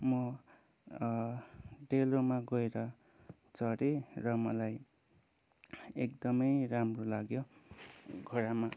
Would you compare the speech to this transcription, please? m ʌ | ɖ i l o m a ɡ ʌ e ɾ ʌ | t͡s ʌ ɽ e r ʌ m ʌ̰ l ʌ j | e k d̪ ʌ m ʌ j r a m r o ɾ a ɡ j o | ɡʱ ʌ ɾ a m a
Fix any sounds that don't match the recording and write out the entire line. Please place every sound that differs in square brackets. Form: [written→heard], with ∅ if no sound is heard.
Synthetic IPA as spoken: m ʌ | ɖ [i→e] l o m a ɡ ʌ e ɾ ʌ | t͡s ʌ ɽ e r ʌ m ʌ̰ l [ʌ→a] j | e k d̪ ʌ m ʌ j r a m r o [ɾ→l] a ɡ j o | ɡʱ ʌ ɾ a m a